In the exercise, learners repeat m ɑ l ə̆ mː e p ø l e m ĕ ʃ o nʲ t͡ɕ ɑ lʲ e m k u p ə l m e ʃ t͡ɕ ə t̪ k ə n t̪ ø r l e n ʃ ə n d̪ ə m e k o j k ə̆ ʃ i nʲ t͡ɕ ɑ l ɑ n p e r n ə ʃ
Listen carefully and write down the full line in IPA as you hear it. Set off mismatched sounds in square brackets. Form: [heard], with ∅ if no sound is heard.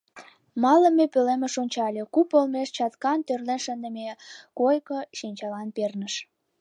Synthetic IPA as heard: m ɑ l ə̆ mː e p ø l e m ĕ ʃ o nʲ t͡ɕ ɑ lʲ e [∅] k u p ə l m e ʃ t͡ɕ [ɑ] t̪ k [ɑ] n t̪ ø r l e n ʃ ə n d̪ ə m e k o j k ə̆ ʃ i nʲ t͡ɕ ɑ l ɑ n p e r n ə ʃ